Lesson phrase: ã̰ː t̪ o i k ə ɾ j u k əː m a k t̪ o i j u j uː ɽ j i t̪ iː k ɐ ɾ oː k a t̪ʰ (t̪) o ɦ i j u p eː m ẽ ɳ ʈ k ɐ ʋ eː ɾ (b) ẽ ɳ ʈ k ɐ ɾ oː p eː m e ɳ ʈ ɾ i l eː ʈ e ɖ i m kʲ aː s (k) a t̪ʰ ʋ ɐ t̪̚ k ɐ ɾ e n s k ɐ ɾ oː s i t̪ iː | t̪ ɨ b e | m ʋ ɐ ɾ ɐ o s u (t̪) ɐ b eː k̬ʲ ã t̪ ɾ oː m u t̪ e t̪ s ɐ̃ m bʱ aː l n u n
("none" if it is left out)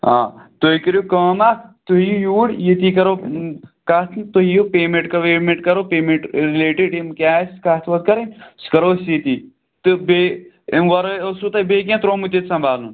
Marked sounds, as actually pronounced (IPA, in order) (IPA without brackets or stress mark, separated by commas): t̪, m, k, t̪